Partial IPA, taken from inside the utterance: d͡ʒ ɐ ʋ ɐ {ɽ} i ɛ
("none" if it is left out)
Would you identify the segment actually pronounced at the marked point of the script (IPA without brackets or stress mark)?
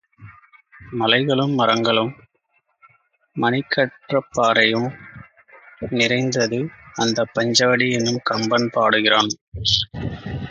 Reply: ɽ